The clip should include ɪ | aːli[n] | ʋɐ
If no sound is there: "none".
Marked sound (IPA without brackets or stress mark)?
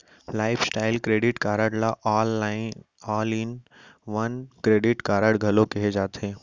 n